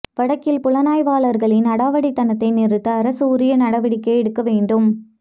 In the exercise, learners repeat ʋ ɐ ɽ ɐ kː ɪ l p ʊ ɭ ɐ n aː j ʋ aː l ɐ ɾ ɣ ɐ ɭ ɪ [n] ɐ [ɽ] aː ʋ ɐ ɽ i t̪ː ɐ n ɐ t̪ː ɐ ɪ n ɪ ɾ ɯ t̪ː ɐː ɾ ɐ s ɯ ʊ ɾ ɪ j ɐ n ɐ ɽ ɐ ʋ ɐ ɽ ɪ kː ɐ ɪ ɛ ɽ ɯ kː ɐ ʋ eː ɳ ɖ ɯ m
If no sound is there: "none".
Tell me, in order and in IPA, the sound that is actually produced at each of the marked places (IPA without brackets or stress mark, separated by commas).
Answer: n, ɽ